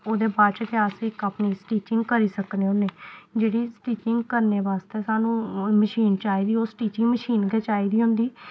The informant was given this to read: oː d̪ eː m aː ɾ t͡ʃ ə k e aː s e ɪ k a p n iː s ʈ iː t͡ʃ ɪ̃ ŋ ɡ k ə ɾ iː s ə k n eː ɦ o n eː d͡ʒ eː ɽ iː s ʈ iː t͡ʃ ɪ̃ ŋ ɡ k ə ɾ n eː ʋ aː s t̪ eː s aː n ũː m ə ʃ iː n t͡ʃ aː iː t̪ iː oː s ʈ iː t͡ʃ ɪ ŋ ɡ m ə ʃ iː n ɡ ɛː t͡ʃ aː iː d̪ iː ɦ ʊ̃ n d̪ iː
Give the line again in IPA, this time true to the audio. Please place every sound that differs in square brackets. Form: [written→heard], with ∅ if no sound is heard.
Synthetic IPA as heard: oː d̪ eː [m→b] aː ɾ t͡ʃ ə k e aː s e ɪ k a p n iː s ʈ iː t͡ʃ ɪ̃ ŋ ɡ k ə ɾ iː s ə k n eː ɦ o n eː d͡ʒ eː ɽ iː s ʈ iː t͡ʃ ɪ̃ ŋ ɡ k ə ɾ n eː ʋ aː s t̪ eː s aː n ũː m ə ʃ iː n t͡ʃ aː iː [t̪→d̪] iː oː s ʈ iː t͡ʃ ɪ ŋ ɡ m ə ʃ iː n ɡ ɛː t͡ʃ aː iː d̪ iː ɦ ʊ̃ n d̪ iː